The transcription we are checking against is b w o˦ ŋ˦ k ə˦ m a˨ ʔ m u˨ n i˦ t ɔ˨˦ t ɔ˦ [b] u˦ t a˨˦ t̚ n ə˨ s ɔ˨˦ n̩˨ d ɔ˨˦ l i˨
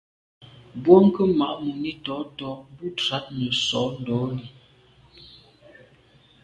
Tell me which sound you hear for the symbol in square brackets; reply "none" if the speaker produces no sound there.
b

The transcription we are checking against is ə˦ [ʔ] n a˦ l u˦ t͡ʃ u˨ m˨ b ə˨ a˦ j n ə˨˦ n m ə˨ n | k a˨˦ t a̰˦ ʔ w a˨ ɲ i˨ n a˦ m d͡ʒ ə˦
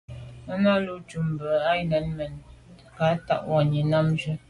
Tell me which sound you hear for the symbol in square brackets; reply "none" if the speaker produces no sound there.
none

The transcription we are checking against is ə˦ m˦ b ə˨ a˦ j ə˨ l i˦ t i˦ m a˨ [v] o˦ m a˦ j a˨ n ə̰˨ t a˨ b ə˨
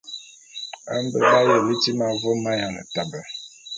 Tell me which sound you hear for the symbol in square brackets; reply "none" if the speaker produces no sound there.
v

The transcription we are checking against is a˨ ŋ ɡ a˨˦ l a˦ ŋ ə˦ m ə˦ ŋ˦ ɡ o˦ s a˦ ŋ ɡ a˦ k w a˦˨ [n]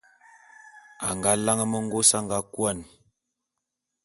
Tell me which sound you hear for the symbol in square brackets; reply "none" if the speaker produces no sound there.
n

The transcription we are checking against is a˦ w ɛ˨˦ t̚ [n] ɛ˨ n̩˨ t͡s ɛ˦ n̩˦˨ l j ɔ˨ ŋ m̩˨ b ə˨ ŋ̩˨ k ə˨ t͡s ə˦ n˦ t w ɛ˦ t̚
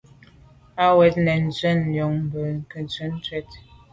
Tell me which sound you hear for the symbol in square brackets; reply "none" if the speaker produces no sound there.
n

